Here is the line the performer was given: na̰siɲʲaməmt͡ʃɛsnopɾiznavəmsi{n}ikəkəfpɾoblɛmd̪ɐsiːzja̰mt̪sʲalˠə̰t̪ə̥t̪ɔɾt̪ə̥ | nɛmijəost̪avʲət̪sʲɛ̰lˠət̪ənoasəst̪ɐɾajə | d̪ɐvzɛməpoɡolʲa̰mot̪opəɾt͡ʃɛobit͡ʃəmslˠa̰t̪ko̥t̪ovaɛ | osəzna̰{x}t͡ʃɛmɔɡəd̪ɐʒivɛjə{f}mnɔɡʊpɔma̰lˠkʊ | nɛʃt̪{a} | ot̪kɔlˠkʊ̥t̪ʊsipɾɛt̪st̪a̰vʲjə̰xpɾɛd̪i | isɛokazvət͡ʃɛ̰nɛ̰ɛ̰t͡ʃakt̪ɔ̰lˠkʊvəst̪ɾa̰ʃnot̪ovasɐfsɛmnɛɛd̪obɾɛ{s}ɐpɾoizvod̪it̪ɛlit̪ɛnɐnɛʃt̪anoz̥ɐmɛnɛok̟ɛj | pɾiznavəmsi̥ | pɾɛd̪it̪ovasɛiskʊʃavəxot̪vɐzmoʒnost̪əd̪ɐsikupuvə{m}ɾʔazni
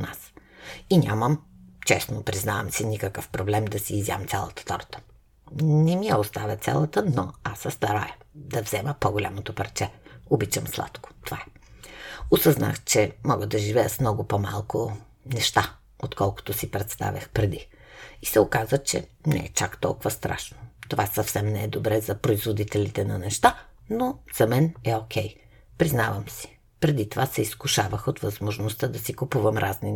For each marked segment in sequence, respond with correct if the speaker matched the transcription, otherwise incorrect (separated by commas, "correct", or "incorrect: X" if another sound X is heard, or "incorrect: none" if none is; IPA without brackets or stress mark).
correct, correct, incorrect: s, correct, incorrect: z, correct